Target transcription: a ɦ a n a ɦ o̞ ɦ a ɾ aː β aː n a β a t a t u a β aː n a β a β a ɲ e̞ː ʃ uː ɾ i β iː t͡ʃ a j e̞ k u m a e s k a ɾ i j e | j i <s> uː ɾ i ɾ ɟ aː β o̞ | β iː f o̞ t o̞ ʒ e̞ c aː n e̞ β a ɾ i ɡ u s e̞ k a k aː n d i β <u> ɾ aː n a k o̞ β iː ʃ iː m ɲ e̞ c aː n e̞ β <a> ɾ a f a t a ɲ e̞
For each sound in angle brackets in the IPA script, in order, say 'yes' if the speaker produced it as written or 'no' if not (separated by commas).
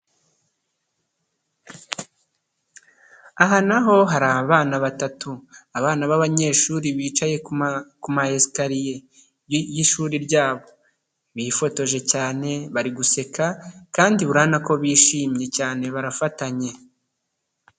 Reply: no, yes, yes